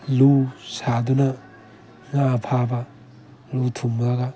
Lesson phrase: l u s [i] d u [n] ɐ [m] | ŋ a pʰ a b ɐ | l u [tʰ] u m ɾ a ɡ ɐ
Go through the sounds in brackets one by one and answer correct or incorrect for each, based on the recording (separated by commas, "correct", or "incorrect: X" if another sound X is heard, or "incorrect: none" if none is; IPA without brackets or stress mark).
incorrect: a, correct, incorrect: none, correct